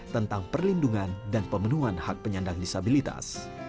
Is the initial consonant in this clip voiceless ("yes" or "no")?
yes